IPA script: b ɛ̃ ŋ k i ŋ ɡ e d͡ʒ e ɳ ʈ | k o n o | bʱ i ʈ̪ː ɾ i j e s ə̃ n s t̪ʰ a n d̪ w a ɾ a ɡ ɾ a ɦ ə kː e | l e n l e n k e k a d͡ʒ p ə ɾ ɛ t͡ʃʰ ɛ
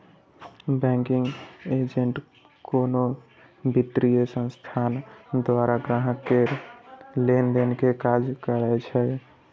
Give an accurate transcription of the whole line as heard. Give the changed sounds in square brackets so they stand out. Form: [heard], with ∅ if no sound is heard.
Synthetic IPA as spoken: b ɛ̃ ŋ k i ŋ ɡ e d͡ʒ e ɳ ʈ | k o n o | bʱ i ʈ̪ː ɾ i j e s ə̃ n s t̪ʰ a n d̪ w a ɾ a ɡ ɾ a ɦ ə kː e | l e n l e n k e k a d͡ʒ [k] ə ɾ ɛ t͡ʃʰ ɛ